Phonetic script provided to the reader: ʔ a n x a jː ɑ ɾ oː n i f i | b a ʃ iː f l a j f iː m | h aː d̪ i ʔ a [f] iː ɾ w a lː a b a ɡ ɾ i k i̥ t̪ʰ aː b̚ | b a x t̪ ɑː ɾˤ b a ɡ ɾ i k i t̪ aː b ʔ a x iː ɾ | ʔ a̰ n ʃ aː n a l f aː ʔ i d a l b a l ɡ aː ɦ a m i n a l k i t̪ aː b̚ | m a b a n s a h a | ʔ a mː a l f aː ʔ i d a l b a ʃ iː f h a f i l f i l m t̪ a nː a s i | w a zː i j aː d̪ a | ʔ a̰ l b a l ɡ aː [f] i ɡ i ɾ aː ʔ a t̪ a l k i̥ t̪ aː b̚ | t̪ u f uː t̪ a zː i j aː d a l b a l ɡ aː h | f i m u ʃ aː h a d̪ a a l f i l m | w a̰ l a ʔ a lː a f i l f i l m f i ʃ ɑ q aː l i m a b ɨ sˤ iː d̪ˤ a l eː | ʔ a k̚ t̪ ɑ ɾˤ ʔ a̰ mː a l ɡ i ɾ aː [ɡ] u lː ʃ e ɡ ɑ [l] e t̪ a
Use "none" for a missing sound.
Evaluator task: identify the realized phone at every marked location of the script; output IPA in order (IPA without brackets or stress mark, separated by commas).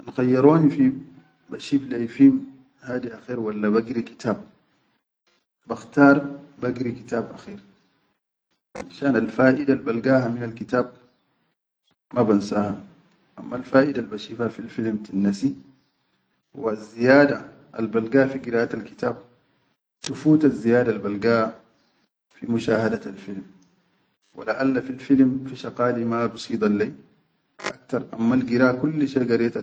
x, f, k, ɾ